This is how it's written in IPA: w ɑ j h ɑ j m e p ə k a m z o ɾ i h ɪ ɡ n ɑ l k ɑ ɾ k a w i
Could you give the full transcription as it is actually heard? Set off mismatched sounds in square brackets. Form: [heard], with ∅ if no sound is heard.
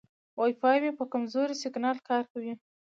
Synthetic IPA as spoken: w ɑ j [f] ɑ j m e p ə k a m z o ɾ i [s] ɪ ɡ n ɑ l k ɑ ɾ k a w i